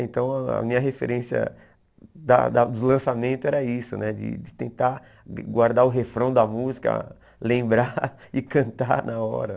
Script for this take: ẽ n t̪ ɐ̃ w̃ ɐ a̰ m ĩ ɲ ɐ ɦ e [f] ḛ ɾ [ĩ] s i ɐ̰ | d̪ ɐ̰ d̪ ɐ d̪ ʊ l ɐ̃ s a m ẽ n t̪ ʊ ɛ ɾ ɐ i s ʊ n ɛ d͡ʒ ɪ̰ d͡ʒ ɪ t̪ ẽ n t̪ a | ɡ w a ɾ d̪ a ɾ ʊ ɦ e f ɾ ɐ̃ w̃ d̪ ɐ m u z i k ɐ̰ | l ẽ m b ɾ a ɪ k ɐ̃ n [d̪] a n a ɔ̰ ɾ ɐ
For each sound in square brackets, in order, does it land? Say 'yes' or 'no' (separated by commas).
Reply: yes, no, no